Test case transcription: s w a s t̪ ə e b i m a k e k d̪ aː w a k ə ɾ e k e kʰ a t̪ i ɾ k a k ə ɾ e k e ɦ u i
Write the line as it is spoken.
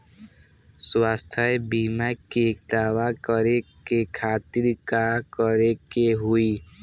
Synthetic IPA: s w a s t̪ʰ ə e b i m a k e k d̪ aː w a k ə ɾ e k e kʰ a t̪ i ɾ k a k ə ɾ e k e ɦ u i